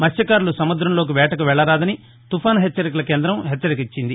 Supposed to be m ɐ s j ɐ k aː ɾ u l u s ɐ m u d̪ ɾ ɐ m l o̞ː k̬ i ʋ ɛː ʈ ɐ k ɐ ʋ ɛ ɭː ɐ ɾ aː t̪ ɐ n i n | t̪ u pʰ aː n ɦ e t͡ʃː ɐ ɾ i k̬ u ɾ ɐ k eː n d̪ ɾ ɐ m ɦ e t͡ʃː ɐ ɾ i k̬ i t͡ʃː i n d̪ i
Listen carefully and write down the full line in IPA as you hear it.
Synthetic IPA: m ɐ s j ɐ k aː ɾ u l u s ɐ m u d̪ ɾ ɐ m l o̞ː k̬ i ʋ ɛː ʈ ɐ k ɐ ʋ ɛ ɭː ɐ ɾ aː d̪ ɐ n i | t̪ u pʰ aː n ɦ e t͡ʃː ɐ ɾ i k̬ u l ɐ k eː n d̪ ɾ ɐ m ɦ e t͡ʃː ɐ ɾ i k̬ i t͡ʃː i n d̪ i